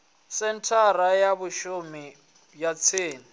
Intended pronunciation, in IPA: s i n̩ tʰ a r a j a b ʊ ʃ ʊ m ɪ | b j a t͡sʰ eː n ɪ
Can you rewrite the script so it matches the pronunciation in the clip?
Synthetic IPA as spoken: s ɛ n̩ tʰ a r a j a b ʊ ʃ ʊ m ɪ | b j a t͡sʰ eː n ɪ